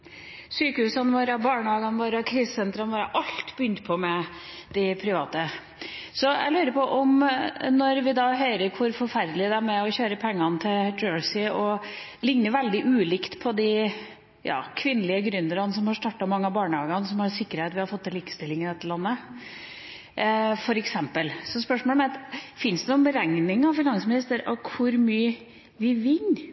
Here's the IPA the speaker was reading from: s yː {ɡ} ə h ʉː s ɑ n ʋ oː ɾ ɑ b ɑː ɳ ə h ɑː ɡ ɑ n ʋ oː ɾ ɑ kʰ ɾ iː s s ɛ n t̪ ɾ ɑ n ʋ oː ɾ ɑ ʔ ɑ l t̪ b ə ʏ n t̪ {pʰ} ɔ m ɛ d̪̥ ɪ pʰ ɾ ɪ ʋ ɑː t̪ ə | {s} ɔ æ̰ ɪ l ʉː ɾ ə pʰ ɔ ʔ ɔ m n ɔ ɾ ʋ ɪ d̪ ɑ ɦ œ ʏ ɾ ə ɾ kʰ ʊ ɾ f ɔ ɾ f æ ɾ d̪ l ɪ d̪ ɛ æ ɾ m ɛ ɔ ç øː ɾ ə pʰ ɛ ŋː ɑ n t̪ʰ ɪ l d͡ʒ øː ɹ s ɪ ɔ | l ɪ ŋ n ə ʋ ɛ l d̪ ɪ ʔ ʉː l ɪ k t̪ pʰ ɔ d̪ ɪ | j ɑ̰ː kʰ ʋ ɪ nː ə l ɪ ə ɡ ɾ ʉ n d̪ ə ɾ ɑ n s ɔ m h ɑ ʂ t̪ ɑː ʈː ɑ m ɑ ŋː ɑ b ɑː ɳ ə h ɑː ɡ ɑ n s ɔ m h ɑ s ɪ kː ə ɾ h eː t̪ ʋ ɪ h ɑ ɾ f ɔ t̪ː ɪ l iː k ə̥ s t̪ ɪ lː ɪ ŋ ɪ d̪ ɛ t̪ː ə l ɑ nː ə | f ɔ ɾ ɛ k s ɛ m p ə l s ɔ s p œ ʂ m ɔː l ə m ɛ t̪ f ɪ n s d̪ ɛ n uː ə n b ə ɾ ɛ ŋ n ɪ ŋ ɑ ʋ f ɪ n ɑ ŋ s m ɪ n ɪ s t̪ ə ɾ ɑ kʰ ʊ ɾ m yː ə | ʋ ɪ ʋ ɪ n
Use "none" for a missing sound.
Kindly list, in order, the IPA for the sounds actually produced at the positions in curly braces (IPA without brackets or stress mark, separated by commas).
k, pʰ, s